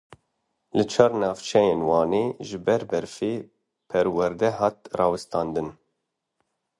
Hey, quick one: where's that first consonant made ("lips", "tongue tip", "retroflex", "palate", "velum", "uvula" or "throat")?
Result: tongue tip